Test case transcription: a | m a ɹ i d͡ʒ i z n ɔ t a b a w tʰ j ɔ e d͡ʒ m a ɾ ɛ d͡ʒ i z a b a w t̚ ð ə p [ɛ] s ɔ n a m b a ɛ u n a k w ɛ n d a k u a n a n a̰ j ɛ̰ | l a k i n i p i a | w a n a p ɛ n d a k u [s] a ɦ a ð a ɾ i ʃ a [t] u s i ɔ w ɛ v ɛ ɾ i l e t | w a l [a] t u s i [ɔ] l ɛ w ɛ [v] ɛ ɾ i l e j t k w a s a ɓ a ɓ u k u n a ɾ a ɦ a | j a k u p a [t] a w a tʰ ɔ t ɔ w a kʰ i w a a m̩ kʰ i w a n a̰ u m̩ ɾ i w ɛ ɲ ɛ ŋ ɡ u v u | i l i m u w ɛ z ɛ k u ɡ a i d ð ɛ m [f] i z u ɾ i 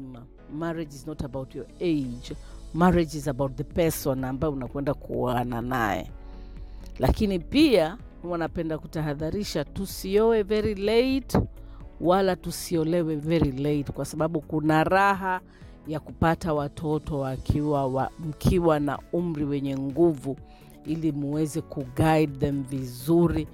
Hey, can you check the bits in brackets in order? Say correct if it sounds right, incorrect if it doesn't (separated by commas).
correct, incorrect, correct, correct, correct, correct, correct, incorrect